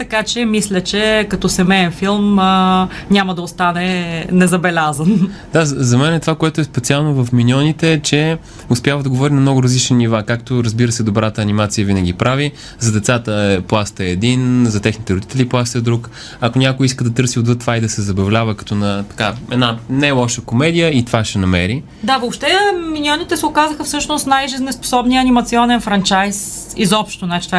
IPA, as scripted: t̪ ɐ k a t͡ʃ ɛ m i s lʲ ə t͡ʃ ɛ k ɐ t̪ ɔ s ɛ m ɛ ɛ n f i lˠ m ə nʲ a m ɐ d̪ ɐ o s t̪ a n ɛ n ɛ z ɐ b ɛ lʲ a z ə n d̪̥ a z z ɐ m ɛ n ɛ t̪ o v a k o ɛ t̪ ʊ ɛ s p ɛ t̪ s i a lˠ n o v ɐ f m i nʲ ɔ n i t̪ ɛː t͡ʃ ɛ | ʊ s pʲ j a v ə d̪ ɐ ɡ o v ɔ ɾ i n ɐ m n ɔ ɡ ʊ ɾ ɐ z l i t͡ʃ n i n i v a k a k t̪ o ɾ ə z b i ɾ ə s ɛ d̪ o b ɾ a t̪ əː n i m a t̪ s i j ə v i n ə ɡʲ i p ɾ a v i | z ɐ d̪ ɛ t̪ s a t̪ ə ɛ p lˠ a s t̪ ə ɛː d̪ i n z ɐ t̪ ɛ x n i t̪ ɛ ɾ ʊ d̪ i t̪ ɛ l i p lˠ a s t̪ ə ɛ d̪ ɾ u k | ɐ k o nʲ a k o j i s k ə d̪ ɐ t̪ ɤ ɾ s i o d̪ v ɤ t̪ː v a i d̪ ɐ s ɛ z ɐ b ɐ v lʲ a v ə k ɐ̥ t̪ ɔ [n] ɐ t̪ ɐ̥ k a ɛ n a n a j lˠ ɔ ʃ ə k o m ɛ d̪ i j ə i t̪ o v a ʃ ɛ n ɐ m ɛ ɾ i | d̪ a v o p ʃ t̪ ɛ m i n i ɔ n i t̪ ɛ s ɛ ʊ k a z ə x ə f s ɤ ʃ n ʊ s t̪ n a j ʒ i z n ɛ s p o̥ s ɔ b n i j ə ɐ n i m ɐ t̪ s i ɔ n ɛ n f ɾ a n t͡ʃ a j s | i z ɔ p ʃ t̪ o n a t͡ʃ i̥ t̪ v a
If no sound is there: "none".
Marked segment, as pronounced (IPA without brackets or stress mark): n